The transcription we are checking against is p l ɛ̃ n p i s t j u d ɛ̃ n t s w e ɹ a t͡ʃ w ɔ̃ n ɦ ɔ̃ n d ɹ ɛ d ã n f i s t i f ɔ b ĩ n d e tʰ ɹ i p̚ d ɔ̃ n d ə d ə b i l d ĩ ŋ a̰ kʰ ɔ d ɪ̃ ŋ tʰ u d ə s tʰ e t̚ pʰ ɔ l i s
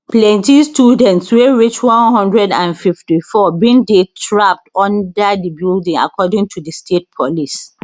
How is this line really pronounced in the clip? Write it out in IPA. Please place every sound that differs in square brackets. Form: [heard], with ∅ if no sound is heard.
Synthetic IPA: p l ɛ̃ n [t] i s t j u d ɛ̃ n t s w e ɹ [i] t͡ʃ w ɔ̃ n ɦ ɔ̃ n d ɹ ɛ d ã n f i [f] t i f ɔ b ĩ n d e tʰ ɹ [a] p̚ [t] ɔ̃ n d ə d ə b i l d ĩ ŋ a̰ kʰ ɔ d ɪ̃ ŋ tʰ u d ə s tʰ e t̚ pʰ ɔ l i s